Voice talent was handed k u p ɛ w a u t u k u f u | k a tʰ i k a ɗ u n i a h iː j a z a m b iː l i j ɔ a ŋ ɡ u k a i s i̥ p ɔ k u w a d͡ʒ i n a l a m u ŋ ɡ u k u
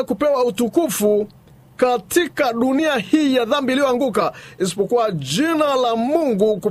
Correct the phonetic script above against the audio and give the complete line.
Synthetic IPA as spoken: k u p ɛ w a u t u k u f u | k a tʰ i k a ɗ u n i a h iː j a ð a m b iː l i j ɔ a ŋ ɡ u k a i s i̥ p ɔ k u w a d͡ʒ i n a l a m u ŋ ɡ u k u